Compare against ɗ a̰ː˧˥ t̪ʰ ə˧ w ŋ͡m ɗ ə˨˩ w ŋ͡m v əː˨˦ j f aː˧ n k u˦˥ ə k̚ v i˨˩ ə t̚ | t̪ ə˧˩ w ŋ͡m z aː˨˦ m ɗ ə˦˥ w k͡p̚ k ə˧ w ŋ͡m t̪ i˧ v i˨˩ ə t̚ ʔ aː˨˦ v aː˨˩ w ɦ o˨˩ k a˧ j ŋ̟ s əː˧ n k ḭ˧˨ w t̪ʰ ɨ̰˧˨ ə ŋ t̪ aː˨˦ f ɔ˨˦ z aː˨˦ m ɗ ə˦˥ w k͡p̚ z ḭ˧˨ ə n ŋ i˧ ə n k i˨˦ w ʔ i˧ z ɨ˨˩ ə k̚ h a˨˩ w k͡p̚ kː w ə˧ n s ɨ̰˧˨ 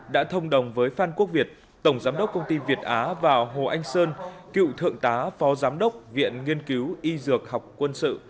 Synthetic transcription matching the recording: ɗ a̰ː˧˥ t̪ʰ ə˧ w ŋ͡m ɗ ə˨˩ w ŋ͡m v əː˨˦ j f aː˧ n k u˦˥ ə k̚ v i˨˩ ə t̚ | t̪ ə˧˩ w ŋ͡m z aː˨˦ m ɗ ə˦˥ w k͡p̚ k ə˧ w ŋ͡m t̪ i˧ v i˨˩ ə t̚ ʔ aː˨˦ v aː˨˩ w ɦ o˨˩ ʔ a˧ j ŋ̟ s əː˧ n k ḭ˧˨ w t̪ʰ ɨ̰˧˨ ə ŋ t̪ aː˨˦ f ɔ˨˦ z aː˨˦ m ɗ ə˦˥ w k͡p̚ v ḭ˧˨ ə n ŋ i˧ ə n k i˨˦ w ʔ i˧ z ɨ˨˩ ə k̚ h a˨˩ w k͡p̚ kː w ə˧ n s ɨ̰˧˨